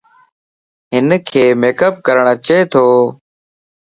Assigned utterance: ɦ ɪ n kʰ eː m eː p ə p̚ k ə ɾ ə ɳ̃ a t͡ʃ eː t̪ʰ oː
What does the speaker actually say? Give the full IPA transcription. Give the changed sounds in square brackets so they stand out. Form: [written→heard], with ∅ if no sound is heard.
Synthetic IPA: ɦ ɪ n kʰ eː m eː [p→k] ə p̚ k ə ɾ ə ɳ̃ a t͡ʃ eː t̪ʰ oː